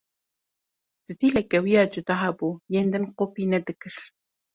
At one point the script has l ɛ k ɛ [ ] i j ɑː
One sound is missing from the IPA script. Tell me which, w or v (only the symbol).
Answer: w